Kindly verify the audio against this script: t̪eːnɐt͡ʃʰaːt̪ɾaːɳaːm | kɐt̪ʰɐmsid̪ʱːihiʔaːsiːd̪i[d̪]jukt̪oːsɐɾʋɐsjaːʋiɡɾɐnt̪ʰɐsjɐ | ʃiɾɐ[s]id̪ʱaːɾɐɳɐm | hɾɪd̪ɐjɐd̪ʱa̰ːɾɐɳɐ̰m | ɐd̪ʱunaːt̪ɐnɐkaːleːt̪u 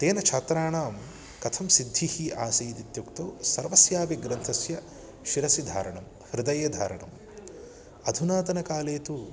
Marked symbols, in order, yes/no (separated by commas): no, yes